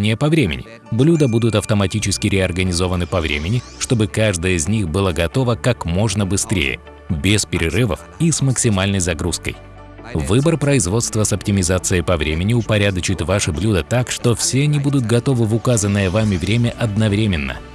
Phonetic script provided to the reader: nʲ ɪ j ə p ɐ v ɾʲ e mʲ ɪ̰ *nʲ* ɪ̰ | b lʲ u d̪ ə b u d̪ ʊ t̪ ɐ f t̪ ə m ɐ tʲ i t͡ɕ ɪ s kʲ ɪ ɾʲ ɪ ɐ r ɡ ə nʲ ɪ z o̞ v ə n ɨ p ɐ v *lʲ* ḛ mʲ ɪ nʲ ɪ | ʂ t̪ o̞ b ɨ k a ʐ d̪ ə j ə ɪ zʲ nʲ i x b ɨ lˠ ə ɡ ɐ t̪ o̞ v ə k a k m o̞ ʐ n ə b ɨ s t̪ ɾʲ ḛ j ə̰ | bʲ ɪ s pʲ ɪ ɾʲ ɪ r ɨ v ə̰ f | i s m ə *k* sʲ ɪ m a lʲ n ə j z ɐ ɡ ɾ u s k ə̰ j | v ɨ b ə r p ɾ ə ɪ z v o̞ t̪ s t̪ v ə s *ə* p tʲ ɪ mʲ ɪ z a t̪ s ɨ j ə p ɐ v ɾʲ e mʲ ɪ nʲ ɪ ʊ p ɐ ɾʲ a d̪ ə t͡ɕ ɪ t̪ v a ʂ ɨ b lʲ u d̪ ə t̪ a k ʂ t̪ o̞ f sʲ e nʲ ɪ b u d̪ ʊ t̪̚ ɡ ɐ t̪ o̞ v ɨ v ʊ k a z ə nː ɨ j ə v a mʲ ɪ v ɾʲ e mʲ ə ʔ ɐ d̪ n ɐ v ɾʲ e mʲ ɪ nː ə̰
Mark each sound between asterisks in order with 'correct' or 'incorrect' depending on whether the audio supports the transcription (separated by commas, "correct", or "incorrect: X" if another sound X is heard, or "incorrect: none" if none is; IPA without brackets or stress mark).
correct, incorrect: ɾʲ, correct, incorrect: ɐ